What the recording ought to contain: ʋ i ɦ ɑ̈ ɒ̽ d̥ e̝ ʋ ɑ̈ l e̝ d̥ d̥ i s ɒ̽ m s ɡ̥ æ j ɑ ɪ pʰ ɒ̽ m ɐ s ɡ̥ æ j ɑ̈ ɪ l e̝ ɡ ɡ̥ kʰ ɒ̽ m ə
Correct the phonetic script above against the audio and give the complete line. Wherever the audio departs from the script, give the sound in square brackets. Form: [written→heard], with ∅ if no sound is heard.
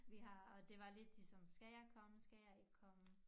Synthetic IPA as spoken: ʋ i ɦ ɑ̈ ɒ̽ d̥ e̝ ʋ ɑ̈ l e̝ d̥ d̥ i s ɒ̽ m s ɡ̥ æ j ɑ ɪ [pʰ→kʰ] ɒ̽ m [ɐ→ə] s ɡ̥ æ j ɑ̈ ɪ [l→∅] e̝ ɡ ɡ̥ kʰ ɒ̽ m ə